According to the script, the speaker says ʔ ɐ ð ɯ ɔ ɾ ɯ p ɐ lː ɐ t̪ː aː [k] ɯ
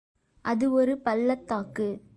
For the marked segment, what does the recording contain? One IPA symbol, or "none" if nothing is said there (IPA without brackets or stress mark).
k